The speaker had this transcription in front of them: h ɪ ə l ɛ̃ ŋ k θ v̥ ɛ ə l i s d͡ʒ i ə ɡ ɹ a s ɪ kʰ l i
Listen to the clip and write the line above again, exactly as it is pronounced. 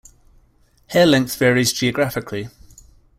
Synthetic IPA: h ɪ ə l ɛ̃ ŋ k θ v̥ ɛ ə ɹ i z d͡ʒ i ə ɡ ɹ a f ɪ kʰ l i